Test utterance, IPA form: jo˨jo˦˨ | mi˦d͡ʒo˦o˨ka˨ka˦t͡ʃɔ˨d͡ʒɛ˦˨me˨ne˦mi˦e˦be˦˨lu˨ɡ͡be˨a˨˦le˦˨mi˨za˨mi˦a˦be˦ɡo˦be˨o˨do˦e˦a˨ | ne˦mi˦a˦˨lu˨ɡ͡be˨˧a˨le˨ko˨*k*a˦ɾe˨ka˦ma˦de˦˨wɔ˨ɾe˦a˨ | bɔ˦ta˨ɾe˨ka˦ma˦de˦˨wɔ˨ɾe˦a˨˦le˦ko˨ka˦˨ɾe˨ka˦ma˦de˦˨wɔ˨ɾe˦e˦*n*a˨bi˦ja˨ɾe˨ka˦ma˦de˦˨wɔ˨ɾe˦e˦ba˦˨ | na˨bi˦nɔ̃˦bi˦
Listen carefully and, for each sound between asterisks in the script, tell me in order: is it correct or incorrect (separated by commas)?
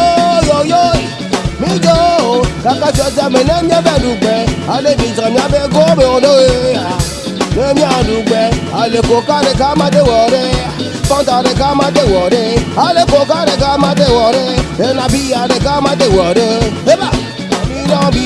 correct, correct